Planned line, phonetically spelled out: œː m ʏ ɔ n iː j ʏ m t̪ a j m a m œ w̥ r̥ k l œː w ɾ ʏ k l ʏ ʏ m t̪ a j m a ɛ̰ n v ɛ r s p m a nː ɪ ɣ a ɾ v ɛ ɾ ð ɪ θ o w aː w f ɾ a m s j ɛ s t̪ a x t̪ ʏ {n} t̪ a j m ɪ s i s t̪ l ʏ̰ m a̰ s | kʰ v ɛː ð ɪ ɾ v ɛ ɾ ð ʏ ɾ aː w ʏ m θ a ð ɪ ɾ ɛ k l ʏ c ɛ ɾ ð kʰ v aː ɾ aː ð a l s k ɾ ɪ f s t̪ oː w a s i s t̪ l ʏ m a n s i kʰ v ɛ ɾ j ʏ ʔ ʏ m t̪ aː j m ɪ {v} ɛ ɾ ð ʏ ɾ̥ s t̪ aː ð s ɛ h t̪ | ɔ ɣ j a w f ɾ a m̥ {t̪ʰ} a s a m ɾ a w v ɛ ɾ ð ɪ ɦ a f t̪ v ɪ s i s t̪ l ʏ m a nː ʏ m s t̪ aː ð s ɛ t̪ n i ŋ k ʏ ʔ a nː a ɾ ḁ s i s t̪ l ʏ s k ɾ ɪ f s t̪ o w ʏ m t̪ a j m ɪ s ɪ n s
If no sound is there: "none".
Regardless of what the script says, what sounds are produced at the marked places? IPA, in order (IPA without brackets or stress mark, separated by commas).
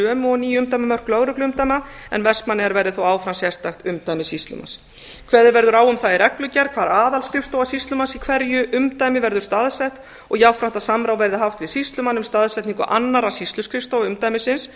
m, v, t̪